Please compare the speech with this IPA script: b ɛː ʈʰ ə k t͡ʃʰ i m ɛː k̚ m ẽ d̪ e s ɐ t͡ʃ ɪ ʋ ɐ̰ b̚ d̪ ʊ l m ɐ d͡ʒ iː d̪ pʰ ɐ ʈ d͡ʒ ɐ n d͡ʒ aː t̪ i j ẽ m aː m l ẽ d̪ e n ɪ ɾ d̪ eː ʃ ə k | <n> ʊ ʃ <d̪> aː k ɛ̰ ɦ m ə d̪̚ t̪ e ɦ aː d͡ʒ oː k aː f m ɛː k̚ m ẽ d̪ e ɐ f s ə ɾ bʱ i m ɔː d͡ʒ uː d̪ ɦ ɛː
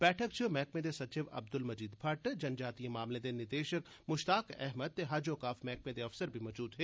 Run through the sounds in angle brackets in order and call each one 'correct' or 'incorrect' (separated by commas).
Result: incorrect, incorrect